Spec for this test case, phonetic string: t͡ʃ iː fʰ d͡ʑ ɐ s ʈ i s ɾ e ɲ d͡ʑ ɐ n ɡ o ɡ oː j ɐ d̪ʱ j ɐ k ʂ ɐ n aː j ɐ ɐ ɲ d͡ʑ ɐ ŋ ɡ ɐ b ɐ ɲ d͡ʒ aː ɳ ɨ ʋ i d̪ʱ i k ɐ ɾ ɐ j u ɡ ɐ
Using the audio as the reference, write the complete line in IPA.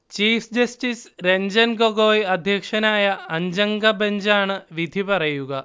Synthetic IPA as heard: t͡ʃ iː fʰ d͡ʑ ɐ s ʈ i s ɾ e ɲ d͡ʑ ɐ n ɡ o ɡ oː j ɐ d̪ʱ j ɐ k ʂ ɐ n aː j ɐ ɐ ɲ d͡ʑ ɐ ŋ ɡ ɐ b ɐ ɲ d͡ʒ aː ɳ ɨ ʋ i d̪ʱ i p ɐ ɾ ɐ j u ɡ ɐ

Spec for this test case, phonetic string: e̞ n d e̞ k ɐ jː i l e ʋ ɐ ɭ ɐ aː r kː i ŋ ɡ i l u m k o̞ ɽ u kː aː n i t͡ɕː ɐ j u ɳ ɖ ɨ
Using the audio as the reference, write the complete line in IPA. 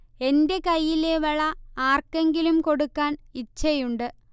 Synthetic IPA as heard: e̞ n d e̞ k ɐ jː i l e ʋ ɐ ɭ ɐ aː r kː e ŋ ɡ i l u m k o̞ ɽ u kː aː n i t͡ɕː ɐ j u ɳ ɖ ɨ

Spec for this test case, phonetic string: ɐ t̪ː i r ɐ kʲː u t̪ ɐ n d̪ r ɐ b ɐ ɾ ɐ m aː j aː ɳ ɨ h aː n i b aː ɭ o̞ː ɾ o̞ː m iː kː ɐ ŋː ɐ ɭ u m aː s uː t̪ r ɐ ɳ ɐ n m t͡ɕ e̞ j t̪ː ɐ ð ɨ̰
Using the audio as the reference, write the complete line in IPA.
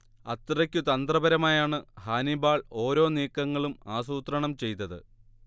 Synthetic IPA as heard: ɐ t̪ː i r ɐ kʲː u t̪ ɐ n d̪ r ɐ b ɐ ɾ ɐ m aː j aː ɳ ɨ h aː n i b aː ɭ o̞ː ɾ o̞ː n iː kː ɐ ŋː ɐ ɭ u m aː s uː t̪ r ɐ ɳ ɐ m t͡ɕ e̞ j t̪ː ɐ ð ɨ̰

